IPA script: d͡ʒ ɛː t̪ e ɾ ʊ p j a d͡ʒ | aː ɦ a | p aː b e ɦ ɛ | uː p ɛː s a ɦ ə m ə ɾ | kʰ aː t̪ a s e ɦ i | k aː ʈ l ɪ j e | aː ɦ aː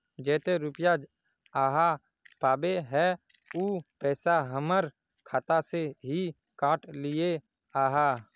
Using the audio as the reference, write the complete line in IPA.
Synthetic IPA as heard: d͡ʒ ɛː t̪ e ɾ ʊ p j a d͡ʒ | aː ɦ a | p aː b e ɦ ɛ | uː p ɛː s a ɦ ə m ə ɾ | kʰ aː t̪ a s e ɦ i | k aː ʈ l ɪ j e | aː ɦ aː